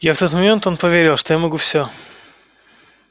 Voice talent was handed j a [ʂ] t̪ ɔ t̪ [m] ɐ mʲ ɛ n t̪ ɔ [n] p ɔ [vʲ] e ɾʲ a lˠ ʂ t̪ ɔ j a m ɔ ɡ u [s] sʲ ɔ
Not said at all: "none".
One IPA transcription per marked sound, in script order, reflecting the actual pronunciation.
f, m, n, vʲ, f

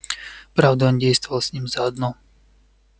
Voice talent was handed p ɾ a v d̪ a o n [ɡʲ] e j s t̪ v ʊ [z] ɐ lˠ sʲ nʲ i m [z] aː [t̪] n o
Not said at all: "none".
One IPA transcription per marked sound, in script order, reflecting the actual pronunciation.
dʲ, v, z, d̪

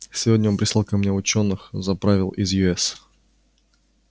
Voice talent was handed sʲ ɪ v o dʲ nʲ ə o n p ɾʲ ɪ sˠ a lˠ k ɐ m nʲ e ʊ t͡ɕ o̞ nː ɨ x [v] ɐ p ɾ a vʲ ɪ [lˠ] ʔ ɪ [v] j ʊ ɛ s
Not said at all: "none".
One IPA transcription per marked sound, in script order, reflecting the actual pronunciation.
z, lˠ, z

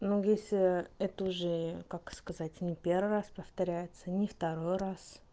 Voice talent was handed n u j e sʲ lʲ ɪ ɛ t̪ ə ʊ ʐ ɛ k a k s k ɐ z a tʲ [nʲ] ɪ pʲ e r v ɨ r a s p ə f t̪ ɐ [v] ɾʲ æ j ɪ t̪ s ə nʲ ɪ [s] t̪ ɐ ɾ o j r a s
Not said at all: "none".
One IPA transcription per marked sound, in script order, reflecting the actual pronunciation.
nʲ, none, f

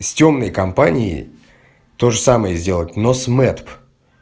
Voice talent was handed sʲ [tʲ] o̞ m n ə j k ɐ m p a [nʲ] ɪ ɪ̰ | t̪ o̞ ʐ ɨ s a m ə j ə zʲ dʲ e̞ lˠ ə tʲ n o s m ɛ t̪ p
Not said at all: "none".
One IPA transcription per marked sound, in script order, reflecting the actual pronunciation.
tʲ, nʲ

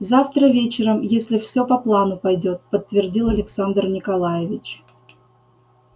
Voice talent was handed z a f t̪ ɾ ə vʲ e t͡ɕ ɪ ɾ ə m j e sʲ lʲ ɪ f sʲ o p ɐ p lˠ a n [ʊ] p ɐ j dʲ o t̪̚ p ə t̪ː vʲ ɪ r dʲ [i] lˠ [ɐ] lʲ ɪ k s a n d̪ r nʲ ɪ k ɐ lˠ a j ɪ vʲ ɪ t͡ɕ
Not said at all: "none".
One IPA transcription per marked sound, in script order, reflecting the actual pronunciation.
ʊ, i, ɐ

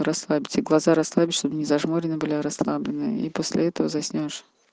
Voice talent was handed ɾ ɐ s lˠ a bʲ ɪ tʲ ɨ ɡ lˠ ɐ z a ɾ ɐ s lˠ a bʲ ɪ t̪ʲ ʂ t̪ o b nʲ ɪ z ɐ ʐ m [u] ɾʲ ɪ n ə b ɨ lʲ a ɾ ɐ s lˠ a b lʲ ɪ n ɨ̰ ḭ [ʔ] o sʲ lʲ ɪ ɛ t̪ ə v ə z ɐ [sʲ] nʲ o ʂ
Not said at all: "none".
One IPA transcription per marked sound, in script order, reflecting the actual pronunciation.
o, p, sʲ

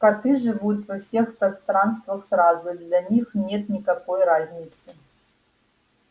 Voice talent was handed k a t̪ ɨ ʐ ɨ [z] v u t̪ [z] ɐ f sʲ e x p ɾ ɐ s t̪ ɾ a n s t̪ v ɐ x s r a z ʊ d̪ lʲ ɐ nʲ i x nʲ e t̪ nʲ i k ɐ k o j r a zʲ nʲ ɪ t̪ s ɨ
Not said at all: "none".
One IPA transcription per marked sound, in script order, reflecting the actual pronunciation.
none, v

